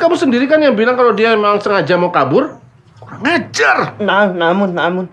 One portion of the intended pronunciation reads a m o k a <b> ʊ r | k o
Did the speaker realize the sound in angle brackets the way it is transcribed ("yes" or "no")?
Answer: yes